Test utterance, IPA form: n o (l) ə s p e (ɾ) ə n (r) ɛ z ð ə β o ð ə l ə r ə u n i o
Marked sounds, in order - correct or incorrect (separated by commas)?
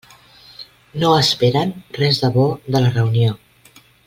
incorrect, correct, correct